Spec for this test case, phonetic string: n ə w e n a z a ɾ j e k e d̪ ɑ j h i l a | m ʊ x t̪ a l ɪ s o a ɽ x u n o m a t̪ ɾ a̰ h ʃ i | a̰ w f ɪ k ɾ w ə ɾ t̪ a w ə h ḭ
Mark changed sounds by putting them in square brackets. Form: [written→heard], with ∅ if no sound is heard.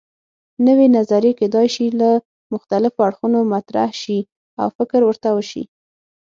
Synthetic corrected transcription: n ə w e n a z a ɾ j e k e d̪ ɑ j [h→ʃ] i l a | m ʊ x t̪ a l ɪ [s→f] o a ɽ x u n o m a t̪ ɾ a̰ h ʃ i | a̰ w f ɪ k ɾ w ə ɾ t̪ a w ə [h→ʃ] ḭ